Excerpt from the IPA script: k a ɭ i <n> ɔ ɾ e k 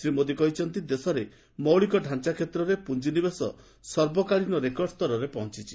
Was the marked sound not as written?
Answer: no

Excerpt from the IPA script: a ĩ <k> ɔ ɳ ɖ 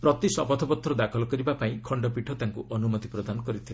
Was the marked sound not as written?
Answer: yes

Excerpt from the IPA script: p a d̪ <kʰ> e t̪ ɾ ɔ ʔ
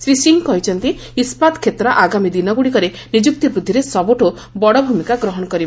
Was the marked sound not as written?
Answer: no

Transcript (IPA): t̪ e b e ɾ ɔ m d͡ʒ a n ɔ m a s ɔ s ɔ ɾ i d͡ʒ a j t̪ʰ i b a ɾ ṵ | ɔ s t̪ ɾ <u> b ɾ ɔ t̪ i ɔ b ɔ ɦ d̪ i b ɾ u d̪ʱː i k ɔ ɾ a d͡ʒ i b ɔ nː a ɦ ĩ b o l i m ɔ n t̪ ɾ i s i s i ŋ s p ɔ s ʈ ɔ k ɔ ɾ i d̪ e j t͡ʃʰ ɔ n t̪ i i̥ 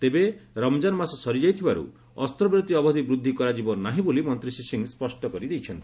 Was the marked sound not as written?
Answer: yes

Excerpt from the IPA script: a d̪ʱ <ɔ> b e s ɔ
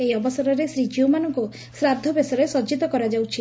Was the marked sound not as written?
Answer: no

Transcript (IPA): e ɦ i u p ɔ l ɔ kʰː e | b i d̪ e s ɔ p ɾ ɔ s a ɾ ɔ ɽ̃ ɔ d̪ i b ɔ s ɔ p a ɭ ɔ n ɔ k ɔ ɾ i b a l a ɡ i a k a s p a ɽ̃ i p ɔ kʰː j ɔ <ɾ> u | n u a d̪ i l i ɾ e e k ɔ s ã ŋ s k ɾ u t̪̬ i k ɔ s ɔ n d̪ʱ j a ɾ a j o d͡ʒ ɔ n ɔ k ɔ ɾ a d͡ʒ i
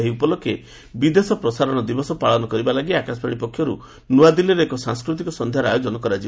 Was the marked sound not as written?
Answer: no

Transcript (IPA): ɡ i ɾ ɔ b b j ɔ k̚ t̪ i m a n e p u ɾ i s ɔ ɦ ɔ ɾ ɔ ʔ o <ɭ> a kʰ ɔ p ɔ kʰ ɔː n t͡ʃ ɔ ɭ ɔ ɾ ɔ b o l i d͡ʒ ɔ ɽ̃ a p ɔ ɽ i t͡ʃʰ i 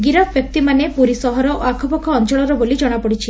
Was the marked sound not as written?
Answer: yes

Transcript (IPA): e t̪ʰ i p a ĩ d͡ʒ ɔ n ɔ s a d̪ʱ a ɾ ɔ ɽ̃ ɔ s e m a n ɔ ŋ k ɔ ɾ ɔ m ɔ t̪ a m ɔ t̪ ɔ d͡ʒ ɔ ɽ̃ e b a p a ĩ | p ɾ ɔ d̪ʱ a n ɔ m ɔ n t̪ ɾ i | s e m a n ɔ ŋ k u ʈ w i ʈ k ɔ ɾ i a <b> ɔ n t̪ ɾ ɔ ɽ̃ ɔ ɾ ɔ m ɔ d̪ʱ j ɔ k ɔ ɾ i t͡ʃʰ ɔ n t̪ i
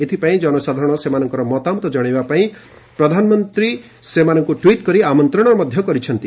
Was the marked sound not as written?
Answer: yes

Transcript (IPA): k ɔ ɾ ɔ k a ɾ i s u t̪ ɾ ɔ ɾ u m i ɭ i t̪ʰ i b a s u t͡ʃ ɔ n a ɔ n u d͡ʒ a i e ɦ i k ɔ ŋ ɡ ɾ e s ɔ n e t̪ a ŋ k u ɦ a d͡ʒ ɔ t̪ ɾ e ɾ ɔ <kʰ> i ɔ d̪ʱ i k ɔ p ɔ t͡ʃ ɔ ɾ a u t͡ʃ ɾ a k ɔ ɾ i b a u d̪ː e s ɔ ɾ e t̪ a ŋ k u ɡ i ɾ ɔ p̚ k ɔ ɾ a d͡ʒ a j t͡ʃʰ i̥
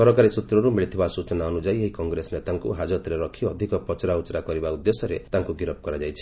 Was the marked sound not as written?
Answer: no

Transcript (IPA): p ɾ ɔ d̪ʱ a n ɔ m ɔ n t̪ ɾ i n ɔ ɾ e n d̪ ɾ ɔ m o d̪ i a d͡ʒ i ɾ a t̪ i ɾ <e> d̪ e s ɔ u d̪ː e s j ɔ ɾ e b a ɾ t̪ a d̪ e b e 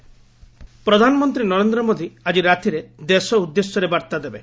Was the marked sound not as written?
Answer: no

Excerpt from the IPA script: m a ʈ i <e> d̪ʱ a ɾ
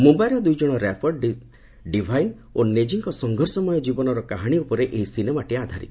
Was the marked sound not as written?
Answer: yes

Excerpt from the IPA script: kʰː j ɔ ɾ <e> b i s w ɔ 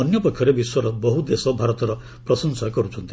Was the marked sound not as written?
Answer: no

